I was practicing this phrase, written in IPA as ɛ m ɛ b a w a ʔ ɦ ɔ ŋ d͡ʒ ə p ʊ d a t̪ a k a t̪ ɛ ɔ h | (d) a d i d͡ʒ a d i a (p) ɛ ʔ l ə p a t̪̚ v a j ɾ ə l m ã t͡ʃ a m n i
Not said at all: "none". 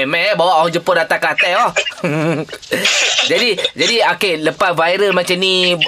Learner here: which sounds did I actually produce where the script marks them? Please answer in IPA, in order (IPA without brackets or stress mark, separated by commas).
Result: d͡ʒ, k